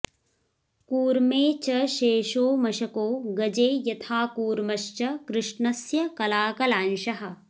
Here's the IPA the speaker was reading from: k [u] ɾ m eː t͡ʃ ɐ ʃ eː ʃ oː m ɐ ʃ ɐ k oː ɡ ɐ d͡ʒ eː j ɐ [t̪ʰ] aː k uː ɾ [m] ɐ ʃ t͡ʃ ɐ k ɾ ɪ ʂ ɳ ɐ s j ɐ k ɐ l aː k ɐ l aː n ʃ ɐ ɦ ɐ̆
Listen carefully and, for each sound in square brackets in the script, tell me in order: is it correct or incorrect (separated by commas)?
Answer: incorrect, correct, correct